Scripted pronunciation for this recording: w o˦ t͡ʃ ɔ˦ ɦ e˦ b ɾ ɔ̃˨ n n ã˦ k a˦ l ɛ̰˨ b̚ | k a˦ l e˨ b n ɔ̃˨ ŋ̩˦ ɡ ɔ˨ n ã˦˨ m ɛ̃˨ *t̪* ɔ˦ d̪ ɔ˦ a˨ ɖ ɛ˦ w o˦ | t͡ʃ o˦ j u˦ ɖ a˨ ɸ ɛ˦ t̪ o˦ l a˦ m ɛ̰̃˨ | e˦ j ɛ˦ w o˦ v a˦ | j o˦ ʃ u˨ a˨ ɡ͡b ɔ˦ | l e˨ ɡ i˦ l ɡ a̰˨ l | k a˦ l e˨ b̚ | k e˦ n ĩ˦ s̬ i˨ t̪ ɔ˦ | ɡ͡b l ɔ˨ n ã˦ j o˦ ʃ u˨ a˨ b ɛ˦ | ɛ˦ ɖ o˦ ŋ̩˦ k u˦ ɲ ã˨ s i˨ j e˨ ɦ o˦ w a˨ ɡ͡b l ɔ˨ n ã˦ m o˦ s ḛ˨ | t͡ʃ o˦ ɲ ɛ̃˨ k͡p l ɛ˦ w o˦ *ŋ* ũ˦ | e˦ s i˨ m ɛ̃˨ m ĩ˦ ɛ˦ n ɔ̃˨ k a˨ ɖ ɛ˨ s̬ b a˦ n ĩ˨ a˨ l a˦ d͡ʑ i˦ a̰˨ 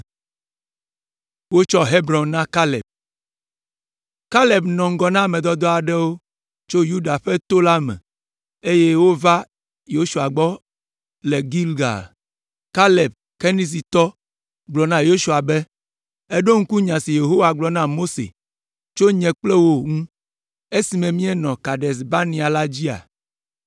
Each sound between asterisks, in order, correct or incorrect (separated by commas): incorrect, correct